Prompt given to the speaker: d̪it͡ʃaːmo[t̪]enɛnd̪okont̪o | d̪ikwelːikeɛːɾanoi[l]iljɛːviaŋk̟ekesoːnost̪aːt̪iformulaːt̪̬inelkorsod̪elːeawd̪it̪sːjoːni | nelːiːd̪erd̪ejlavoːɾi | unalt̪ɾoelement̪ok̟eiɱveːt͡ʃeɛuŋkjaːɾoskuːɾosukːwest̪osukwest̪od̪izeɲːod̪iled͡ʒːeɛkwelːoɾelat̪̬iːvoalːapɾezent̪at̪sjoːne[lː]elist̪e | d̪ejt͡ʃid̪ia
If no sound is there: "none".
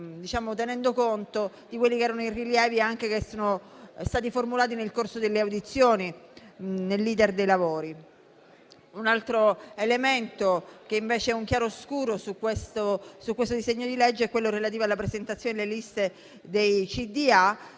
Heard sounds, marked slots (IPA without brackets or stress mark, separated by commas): t̪, r, l